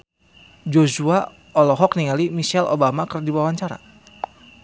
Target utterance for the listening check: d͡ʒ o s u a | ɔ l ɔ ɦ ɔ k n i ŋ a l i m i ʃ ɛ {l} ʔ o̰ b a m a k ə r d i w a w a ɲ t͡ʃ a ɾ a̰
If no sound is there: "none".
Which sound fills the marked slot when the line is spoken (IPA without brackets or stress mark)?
l